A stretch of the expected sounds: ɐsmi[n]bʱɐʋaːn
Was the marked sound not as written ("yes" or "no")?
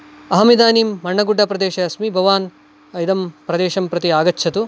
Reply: yes